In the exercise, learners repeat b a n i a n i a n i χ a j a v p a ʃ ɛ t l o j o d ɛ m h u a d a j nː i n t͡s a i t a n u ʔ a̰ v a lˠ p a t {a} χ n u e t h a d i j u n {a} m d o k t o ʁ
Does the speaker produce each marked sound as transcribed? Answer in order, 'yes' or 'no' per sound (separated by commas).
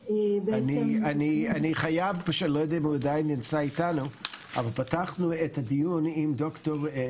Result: yes, no